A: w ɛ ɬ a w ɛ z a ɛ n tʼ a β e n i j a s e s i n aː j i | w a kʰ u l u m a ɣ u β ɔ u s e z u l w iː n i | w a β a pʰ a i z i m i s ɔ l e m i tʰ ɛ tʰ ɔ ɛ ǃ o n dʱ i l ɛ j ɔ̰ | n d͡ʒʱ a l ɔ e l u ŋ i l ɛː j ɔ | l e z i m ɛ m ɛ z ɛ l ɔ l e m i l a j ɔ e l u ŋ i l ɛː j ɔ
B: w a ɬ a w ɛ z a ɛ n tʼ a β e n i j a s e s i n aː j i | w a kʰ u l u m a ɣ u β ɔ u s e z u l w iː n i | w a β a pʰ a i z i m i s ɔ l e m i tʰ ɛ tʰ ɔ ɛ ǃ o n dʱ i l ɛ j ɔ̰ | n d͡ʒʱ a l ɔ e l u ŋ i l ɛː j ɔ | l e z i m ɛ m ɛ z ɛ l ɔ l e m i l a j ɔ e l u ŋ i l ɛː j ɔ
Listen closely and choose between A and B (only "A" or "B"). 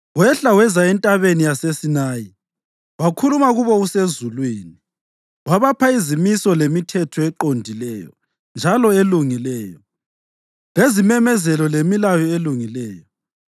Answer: A